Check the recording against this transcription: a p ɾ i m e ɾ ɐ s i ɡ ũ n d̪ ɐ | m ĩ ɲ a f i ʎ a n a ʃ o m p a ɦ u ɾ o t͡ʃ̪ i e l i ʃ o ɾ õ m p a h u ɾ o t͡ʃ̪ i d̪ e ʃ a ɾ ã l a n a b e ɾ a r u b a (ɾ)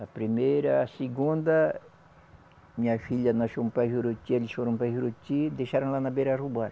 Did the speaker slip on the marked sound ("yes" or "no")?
no